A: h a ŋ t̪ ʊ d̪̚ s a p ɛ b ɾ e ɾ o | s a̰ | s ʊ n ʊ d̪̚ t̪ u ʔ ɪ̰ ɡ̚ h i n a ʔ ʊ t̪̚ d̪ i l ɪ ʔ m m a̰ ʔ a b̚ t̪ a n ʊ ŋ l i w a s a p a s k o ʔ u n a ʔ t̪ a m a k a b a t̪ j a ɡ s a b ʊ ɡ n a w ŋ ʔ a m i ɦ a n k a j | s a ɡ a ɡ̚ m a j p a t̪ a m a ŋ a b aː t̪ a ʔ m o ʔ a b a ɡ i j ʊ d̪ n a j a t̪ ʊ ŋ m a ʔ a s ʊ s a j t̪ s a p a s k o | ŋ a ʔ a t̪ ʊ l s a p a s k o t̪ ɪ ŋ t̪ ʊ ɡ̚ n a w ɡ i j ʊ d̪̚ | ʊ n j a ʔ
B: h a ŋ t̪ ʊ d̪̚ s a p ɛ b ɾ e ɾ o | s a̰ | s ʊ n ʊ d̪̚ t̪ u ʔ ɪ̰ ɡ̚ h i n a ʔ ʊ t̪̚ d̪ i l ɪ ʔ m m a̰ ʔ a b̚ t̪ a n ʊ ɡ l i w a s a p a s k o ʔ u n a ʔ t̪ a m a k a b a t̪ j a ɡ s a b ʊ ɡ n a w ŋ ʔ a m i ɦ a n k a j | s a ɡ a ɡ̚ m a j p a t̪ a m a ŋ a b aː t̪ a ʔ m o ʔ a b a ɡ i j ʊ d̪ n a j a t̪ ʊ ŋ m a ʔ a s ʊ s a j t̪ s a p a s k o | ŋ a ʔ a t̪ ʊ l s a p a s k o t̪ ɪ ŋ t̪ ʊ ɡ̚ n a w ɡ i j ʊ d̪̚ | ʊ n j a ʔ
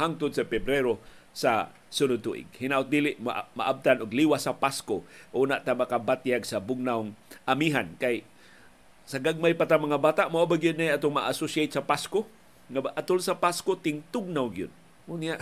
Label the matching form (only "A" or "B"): B